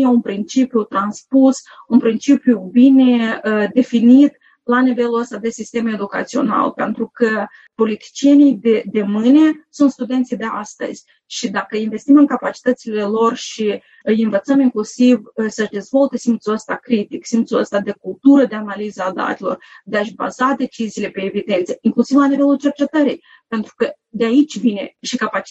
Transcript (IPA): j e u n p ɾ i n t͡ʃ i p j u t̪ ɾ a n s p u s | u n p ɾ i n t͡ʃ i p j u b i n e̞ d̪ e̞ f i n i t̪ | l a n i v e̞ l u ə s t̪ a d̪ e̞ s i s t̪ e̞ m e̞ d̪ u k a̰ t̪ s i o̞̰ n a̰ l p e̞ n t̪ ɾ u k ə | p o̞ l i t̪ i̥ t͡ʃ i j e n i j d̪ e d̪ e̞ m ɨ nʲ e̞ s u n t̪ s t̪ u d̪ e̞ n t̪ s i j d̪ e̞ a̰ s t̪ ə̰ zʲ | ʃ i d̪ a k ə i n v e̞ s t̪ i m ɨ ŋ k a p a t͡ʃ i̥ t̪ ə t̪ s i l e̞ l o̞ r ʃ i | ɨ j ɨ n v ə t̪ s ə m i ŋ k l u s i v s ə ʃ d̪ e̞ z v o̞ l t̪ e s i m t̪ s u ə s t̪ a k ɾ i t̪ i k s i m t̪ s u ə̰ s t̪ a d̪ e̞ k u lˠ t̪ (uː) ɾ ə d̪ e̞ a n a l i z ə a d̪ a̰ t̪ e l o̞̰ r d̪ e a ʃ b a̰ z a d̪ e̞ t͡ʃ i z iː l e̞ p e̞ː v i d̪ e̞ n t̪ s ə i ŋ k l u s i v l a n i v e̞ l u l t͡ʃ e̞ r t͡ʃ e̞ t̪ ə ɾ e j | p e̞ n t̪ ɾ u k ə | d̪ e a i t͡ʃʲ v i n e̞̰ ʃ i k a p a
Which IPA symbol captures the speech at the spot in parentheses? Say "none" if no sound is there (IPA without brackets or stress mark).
u